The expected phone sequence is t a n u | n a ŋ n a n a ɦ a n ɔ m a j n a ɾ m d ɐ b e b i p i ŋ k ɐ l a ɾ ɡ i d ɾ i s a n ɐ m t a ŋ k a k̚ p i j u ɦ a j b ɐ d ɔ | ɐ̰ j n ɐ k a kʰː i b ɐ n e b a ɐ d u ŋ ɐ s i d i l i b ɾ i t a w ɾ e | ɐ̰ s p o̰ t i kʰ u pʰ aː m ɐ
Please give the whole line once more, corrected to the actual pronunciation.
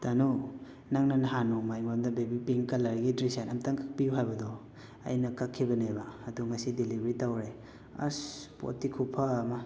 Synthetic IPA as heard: t a n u | n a ŋ n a n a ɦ a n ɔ m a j m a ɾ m d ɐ b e b i p i ŋ k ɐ l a ɾ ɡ i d ɾ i s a n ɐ m t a ŋ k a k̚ p i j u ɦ a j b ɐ d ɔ | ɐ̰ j n ɐ k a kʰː i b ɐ n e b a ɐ d u ŋ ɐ s i d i l i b ɾ i t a w ɾ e | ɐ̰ s p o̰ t i kʰ u pʰ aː m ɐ